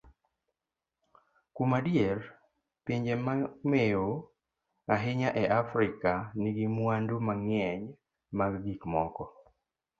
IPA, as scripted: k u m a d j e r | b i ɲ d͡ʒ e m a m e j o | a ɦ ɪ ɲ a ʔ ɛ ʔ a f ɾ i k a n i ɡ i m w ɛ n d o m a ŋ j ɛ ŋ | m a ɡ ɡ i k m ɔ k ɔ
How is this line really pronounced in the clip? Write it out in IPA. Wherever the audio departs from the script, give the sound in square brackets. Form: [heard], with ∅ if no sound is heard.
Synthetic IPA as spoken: k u m a d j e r | [p] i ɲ d͡ʒ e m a m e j o | a ɦ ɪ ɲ a ʔ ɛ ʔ a f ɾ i k a n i ɡ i m w [a] n d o m a ŋ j ɛ [ɲ] | m a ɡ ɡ i k m ɔ k ɔ